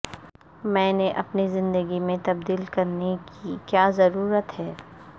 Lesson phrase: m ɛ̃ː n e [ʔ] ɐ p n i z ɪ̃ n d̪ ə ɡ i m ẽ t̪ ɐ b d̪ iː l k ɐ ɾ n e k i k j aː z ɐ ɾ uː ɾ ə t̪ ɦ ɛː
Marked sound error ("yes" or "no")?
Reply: no